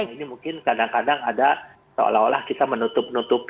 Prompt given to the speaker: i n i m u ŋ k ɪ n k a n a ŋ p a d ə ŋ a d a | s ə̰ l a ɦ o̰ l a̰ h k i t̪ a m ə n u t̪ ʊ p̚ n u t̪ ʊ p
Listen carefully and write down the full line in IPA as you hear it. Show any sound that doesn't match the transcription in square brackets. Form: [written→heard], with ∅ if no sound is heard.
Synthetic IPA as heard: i n i m u ŋ k ɪ n k a [n→d] a ŋ [p→k] a d [ə→a] ŋ a d a | s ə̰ l a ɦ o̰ l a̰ h k i t̪ a m ə n u t̪ ʊ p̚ n u t̪ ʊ p